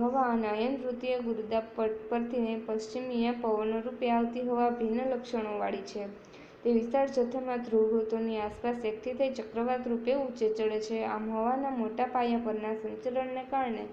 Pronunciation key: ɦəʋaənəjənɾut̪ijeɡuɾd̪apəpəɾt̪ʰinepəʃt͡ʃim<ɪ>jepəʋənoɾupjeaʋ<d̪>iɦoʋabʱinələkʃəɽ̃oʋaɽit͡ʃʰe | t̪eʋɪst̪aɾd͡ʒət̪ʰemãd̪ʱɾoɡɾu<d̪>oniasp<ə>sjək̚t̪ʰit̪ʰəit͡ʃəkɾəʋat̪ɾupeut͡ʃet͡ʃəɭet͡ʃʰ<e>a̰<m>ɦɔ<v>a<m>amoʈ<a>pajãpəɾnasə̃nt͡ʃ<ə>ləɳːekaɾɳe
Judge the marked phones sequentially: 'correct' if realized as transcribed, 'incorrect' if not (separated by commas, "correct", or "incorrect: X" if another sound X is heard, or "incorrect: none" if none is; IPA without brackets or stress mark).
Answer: incorrect: i, incorrect: t̪, incorrect: t̪, incorrect: a, correct, correct, incorrect: ʋ, incorrect: n, correct, correct